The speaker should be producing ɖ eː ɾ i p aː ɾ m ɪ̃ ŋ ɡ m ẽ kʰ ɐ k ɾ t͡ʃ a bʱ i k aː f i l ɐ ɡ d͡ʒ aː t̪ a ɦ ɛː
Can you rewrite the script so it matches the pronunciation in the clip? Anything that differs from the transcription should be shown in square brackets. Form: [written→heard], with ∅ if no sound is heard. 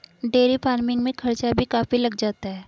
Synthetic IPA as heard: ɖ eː ɾ i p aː ɾ m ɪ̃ ŋ ɡ m ẽ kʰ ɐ [k→∅] ɾ t͡ʃ a bʱ i k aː f i l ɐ ɡ d͡ʒ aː t̪ a ɦ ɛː